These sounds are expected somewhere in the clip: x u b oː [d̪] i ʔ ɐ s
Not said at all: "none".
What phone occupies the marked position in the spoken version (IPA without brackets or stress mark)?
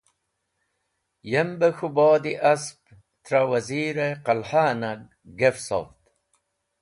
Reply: d̪